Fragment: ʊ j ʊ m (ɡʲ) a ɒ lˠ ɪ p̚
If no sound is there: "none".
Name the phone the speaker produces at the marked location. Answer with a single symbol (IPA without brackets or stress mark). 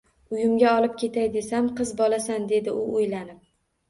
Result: ɡʲ